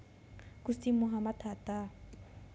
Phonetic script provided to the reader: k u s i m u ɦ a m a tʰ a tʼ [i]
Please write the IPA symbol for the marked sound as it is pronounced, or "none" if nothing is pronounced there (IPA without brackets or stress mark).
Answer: a